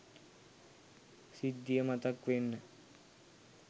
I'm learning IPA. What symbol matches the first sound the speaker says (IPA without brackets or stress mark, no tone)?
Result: s